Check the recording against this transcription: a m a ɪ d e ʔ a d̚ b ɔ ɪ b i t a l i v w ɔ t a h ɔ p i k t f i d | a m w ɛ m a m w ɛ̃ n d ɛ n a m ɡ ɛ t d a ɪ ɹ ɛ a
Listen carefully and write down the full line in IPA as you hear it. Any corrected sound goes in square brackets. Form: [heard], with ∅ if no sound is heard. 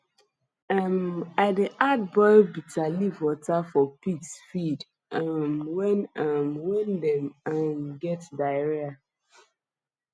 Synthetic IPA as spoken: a m a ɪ d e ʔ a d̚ b ɔ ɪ b i t a l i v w ɔ t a [f] ɔ p i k [s] f i d | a m w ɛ [n] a m w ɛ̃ n d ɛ [m] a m ɡ ɛ t d a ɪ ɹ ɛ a